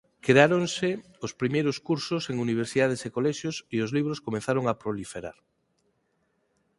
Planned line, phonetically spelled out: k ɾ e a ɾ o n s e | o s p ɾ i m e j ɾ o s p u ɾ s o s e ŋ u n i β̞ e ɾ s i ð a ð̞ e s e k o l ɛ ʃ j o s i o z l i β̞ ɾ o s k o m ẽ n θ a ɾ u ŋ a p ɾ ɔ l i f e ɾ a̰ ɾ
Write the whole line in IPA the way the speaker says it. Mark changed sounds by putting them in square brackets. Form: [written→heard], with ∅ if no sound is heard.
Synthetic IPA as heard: k ɾ e a ɾ o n s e | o s p ɾ i m e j ɾ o s [p→k] u ɾ s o s e ŋ u n i β̞ e ɾ s i ð a ð̞ e s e k o l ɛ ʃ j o s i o z l i β̞ ɾ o s k o m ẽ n θ a ɾ [u→o] ŋ a p ɾ [ɔ→o] l i f e ɾ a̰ ɾ